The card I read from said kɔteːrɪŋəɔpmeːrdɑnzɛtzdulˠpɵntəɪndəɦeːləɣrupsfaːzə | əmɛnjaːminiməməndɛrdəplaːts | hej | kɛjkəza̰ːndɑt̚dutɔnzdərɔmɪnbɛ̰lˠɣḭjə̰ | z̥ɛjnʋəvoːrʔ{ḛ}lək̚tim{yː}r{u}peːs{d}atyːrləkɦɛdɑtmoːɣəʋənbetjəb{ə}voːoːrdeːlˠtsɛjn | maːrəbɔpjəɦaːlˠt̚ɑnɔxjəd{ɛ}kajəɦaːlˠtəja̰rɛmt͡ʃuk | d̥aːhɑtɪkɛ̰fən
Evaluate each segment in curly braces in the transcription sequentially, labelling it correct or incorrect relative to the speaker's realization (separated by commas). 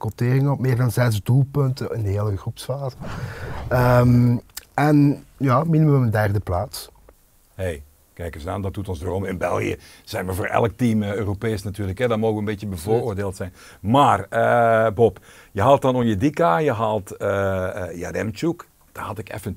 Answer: incorrect, incorrect, incorrect, incorrect, correct, incorrect